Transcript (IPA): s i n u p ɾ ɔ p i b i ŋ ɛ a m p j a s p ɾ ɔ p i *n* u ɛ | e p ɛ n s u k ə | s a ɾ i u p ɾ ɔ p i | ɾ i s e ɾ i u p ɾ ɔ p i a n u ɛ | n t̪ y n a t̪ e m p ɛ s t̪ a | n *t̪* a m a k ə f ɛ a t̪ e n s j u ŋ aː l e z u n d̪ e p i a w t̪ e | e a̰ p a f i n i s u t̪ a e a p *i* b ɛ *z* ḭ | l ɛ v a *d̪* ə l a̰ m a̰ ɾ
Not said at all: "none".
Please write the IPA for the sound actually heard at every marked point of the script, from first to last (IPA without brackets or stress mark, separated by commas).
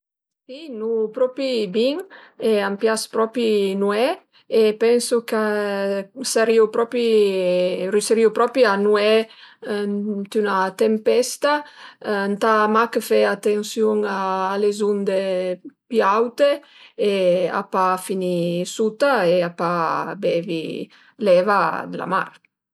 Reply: n, t̪, a, v, d̪